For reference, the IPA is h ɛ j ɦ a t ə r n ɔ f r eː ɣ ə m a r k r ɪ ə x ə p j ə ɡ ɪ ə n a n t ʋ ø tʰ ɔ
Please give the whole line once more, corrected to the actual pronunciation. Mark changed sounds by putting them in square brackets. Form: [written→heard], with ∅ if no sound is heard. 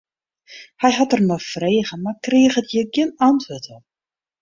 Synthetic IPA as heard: h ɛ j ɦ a t ə r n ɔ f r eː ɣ ə m a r k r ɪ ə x ə [p→t] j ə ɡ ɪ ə n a n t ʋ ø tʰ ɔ